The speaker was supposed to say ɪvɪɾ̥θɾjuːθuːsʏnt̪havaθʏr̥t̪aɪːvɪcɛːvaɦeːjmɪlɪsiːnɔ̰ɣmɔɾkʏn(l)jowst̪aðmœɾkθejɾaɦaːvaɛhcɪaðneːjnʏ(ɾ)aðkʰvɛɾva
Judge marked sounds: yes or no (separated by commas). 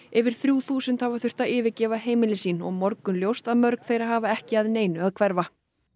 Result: yes, no